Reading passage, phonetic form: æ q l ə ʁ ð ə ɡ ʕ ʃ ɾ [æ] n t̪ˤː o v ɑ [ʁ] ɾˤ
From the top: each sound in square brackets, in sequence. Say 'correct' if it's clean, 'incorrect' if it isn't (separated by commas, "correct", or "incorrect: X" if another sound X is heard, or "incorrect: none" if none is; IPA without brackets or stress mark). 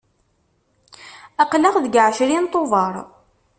incorrect: i, incorrect: none